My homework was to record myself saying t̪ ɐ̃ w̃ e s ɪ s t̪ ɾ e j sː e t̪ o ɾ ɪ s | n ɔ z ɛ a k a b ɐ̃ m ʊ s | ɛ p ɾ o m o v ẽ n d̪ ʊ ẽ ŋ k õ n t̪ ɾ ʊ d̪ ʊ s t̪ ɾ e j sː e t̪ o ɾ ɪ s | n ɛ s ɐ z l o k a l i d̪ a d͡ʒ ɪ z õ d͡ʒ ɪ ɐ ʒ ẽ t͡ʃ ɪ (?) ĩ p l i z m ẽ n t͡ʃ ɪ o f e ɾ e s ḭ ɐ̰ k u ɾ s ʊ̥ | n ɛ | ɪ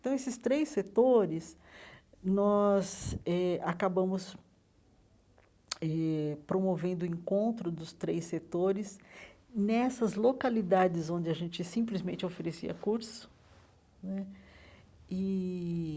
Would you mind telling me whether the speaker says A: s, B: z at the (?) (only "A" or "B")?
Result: A